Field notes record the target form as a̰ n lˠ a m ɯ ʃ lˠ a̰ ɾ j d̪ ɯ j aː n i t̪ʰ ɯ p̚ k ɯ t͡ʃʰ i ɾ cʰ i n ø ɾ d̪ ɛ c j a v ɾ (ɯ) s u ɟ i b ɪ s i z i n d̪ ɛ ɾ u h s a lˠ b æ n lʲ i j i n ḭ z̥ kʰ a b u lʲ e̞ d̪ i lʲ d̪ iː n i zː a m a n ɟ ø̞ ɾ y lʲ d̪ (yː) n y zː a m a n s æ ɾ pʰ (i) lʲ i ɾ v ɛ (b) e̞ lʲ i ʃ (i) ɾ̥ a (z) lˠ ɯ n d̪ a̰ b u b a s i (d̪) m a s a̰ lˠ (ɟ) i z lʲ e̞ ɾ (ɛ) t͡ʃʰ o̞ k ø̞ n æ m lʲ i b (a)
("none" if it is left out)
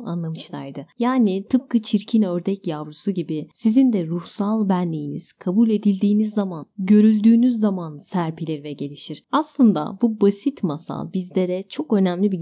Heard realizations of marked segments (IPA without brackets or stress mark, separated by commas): u, yː, i, ɟ, i, s, t̪, b, ɛ, i